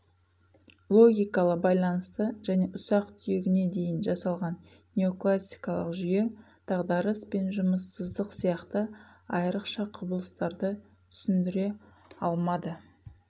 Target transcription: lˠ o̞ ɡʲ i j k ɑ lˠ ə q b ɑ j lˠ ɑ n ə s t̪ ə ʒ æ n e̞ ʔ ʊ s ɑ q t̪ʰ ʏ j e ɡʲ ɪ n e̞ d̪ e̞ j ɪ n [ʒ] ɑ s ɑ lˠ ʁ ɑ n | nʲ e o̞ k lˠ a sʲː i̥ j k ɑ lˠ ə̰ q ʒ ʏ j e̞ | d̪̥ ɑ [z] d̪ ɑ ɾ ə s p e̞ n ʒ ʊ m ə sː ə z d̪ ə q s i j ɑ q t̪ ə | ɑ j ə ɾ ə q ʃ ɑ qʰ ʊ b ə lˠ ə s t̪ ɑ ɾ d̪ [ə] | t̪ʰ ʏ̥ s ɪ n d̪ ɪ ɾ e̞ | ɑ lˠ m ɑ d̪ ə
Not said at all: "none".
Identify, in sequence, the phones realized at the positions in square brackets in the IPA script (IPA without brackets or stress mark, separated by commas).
ʒ, ʁ, ə